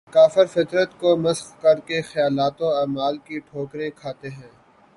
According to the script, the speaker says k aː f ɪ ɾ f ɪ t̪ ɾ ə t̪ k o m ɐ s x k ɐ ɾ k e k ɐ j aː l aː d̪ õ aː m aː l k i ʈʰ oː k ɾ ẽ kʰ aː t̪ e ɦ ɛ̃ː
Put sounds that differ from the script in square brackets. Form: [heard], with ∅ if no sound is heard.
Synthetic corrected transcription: k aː f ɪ ɾ f ɪ t̪ ɾ ə t̪ k o m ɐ s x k ɐ ɾ k e [x] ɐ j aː l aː [t̪] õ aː m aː l k i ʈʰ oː k ɾ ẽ kʰ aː t̪ e ɦ ɛ̃ː